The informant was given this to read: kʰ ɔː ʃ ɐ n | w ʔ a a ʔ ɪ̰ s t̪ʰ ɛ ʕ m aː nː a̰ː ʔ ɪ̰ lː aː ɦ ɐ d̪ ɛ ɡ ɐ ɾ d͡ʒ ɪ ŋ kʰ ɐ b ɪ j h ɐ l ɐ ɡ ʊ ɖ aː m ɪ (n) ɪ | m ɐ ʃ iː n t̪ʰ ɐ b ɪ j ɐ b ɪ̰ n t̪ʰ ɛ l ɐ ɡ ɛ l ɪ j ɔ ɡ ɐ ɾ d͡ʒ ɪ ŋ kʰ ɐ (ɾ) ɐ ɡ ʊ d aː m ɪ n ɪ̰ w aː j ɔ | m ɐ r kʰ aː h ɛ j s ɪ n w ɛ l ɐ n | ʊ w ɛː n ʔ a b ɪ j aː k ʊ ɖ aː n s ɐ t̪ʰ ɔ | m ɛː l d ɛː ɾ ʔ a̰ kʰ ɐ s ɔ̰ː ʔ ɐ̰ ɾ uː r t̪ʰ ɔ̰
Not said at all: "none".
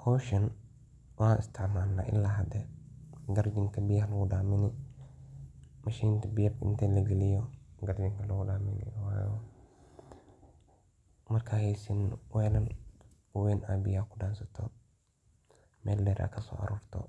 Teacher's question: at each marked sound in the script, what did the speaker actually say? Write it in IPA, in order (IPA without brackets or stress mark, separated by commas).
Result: n, l